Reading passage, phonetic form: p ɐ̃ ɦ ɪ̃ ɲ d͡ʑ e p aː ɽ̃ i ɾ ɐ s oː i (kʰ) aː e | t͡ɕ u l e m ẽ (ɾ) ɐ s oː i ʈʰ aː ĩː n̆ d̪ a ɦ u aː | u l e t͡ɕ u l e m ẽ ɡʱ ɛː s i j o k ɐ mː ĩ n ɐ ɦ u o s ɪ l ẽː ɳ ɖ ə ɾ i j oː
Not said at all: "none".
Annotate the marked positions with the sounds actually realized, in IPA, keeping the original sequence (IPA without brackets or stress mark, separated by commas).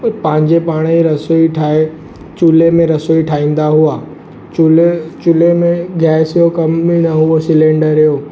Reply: ʈʰ, ɾ